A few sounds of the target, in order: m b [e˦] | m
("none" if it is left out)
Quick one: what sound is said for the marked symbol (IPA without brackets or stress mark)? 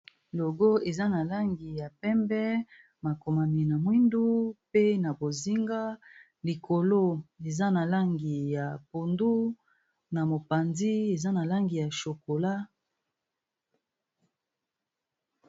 ɛ˦